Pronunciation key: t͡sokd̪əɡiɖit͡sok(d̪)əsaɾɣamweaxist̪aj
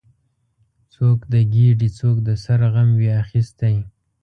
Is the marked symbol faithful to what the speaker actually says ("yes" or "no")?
yes